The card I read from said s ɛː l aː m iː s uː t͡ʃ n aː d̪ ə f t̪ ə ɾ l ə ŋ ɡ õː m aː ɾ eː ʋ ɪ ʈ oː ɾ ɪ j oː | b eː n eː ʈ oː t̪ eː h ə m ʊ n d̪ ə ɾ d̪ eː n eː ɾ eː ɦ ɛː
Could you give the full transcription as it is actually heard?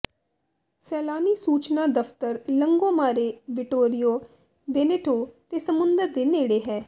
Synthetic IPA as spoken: s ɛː l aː n iː s uː t͡ʃ n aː d̪ ə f t̪ ə ɾ l ə ŋ ɡ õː m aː ɾ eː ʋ ɪ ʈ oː ɾ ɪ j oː | b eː n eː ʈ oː t̪ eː s ə m ʊ n d̪ ə ɾ d̪ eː n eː ɽ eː ɦ ɛː